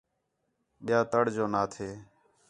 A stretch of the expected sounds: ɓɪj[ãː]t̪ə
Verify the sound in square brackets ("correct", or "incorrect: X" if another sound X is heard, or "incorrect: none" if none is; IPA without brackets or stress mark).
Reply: incorrect: aː